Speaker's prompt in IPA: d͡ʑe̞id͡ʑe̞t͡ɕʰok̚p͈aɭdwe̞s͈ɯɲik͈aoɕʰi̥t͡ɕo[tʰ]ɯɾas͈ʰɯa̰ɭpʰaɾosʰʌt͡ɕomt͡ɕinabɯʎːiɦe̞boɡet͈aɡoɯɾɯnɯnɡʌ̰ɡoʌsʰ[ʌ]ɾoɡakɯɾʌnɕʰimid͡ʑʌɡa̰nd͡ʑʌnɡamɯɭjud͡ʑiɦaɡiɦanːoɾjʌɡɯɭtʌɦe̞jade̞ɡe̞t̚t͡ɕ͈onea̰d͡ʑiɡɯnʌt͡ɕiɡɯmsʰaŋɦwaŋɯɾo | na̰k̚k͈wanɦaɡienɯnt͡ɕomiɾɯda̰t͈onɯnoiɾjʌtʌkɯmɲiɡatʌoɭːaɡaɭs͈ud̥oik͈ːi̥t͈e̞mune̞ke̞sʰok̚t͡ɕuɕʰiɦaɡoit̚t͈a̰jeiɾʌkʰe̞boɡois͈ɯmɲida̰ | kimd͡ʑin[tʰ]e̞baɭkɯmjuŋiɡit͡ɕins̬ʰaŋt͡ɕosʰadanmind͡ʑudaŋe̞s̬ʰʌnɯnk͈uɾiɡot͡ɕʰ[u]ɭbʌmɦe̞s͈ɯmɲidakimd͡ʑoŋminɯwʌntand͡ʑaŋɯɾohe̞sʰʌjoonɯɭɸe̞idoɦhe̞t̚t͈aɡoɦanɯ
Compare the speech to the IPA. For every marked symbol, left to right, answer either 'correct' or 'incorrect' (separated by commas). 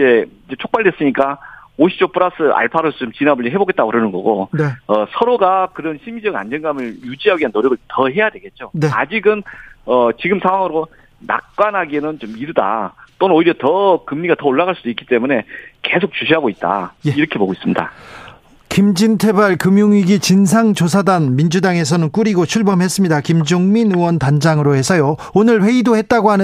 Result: incorrect, correct, correct, correct